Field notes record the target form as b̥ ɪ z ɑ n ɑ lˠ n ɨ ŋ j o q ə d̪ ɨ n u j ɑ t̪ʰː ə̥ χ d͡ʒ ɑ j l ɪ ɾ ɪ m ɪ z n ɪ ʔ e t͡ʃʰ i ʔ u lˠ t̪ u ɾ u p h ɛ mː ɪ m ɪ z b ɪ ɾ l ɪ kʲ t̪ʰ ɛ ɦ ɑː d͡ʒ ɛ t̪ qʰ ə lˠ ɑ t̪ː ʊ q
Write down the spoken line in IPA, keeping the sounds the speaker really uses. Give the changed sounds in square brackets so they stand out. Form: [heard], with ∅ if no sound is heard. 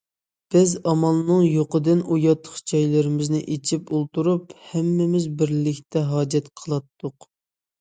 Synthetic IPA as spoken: b̥ ɪ z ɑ [m] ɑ lˠ n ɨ ŋ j o q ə d̪ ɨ n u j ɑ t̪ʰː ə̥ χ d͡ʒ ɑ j l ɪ ɾ ɪ m ɪ z n ɪ ʔ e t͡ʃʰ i [p] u lˠ t̪ u ɾ u p h ɛ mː ɪ m ɪ z b ɪ ɾ l ɪ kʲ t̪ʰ ɛ ɦ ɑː d͡ʒ ɛ t̪ qʰ ə lˠ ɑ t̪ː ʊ q